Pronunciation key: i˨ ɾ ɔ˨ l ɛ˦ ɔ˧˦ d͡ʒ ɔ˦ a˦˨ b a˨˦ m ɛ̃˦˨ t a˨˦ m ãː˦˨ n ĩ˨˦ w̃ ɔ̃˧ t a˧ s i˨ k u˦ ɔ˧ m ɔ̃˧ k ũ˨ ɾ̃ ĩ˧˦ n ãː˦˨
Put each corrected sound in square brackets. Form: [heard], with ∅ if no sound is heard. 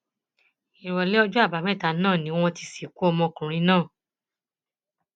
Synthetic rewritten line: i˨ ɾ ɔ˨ l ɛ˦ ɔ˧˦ d͡ʒ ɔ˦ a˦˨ b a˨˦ m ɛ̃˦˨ t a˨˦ [n] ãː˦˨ n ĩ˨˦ w̃ ɔ̃˧ t [i˧] s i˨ k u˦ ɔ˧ m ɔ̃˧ k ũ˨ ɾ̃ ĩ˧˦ n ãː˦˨